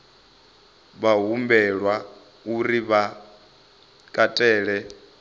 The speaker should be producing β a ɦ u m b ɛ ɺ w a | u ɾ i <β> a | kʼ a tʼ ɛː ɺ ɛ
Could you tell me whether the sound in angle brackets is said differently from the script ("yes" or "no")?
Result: no